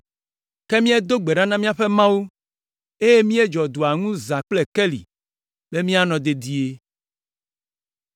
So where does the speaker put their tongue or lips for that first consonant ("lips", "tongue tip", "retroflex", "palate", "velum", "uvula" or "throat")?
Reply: velum